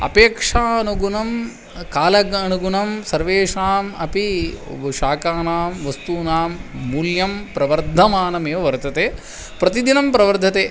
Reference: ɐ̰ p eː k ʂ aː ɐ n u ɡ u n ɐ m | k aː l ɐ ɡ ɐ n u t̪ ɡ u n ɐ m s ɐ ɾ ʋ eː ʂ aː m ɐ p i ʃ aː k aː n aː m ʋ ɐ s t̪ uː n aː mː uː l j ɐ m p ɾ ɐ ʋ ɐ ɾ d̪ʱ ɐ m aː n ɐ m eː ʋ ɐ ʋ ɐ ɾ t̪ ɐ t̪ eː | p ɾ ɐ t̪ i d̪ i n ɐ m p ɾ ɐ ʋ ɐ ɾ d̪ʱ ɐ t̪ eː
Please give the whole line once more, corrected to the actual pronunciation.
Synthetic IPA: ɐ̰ p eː k ʂ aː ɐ n u ɡ u n ɐ m | k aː l ɐ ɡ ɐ n u ɡ u n ɐ m s ɐ ɾ ʋ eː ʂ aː m ɐ p i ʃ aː k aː n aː m ʋ ɐ s t̪ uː n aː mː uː l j ɐ m p ɾ ɐ ʋ ɐ ɾ d̪ʱ ɐ m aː n ɐ m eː ʋ ɐ ʋ ɐ ɾ t̪ ɐ t̪ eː | p ɾ ɐ t̪ i d̪ i n ɐ m p ɾ ɐ ʋ ɐ ɾ d̪ʱ ɐ t̪ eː

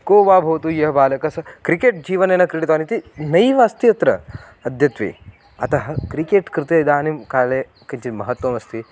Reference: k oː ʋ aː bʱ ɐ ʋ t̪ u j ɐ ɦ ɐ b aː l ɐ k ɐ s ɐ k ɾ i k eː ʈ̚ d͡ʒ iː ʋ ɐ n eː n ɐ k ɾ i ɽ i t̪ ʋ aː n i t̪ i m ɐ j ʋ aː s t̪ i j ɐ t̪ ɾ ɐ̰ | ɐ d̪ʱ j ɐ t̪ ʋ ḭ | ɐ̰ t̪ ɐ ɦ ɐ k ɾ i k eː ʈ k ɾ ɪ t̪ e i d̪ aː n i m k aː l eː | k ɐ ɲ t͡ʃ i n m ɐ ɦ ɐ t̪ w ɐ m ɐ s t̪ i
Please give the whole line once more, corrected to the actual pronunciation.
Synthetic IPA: k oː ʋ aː bʱ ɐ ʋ t̪ u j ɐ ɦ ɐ b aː l ɐ k ɐ s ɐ k ɾ i k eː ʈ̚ d͡ʒ iː ʋ ɐ n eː n ɐ k ɾ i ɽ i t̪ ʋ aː n i t̪ i n ɐ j ʋ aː s t̪ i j ɐ t̪ ɾ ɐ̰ | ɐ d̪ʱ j ɐ t̪ ʋ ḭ | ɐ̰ t̪ ɐ ɦ ɐ k ɾ i k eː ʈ k ɾ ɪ t̪ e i d̪ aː n i m k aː l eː | k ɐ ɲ t͡ʃ i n m ɐ ɦ ɐ t̪ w ɐ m ɐ s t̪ i

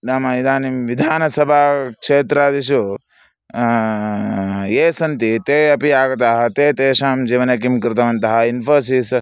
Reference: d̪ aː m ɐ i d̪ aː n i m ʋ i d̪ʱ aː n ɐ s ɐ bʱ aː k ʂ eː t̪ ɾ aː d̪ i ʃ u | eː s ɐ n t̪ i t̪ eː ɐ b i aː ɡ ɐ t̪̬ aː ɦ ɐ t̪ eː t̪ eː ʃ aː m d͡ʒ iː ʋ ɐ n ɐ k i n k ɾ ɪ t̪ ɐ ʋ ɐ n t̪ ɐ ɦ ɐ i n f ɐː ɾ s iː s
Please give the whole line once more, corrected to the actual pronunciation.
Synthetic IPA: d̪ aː m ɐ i d̪ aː n i m ʋ i d̪ʱ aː n ɐ s ɐ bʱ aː k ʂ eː t̪ ɾ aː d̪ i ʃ u | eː s ɐ n t̪ i t̪ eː ɐ p i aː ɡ ɐ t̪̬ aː ɦ ɐ t̪ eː t̪ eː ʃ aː m d͡ʒ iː ʋ ɐ n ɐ k i m k ɾ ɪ t̪ ɐ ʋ ɐ n t̪ ɐ ɦ ɐ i n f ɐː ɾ s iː s

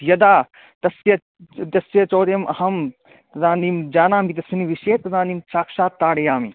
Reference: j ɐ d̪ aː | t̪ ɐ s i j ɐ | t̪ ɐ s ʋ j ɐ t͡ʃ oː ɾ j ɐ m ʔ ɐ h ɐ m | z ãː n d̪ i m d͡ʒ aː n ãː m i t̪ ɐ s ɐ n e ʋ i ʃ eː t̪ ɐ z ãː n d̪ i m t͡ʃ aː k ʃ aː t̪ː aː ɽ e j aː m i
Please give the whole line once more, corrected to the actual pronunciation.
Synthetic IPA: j ɐ d̪ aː | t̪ ɐ s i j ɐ | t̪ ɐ s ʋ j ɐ t͡ʃ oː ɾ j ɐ m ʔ ɐ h ɐ m | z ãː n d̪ i m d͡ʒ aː n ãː m i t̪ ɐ s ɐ n i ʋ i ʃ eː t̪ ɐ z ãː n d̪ i m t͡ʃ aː k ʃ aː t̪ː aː ɽ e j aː m i

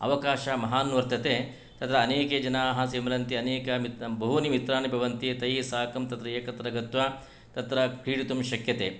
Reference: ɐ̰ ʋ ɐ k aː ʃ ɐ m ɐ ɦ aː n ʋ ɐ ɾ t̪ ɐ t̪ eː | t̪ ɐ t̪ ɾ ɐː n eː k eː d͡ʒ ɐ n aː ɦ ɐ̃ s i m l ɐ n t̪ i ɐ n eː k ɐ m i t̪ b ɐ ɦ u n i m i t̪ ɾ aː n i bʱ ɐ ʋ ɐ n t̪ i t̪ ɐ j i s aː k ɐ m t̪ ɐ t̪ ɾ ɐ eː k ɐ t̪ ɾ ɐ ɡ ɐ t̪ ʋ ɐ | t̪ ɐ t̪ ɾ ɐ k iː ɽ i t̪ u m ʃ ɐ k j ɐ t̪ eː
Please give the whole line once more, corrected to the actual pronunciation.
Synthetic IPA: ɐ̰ ʋ ɐ k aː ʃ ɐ m ɐ ɦ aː n ʋ ɐ ɾ t̪ ɐ t̪ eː | t̪ ɐ t̪ ɾ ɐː n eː k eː d͡ʒ ɐ n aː ɦ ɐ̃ s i m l ɐ n t̪ i ɐ n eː k ɐ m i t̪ b ɐ ɦ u n i m i t̪ ɾ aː n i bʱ ɐ ʋ ɐ n t̪ i t̪ ɐ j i s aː k ɐ m t̪ ɐ t̪ ɾ ɐ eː k ɐ t̪ ɾ ɐ ɡ ɐ t̪ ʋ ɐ | t̪ ɐ t̪ ɾ ɐ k iː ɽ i t̪ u m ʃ ɐ k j ɐ t̪ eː

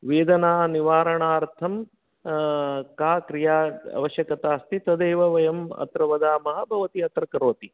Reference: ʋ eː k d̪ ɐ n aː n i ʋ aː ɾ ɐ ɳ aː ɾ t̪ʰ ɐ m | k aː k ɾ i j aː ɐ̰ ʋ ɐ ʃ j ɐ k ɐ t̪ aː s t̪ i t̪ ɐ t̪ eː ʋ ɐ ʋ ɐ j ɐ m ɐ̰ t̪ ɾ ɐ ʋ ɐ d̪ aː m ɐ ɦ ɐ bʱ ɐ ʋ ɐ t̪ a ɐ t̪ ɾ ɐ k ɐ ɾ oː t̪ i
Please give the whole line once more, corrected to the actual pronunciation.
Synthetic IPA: ʋ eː d̪ ɐ n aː n i ʋ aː ɾ ɐ ɳ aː ɾ t̪ʰ ɐ m | k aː k ɾ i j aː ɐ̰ ʋ ɐ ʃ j ɐ k ɐ t̪ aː s t̪ i t̪ ɐ d̪ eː ʋ ɐ ʋ ɐ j ɐ m ɐ̰ t̪ ɾ ɐ ʋ ɐ d̪ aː m ɐ ɦ ɐ bʱ ɐ ʋ ɐ t̪ i ɐ t̪ ɾ ɐ k ɐ ɾ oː t̪ i

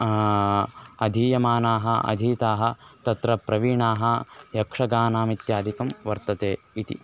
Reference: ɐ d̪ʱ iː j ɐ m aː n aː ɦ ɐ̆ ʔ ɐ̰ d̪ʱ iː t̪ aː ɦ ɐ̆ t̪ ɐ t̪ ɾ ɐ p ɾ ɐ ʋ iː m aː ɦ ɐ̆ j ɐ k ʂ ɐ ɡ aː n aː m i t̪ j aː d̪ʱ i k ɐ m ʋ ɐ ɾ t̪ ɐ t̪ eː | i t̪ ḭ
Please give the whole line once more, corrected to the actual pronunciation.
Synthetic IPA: ɐ d̪ʱ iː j ɐ m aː n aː ɦ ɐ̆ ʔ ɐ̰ d̪ʱ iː t̪ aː ɦ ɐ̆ t̪ ɐ t̪ ɾ ɐ p ɾ ɐ ʋ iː ɳ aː ɦ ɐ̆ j ɐ k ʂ ɐ ɡ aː n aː m i t̪ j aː d̪ʱ i k ɐ m ʋ ɐ ɾ t̪ ɐ t̪ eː | i t̪ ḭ

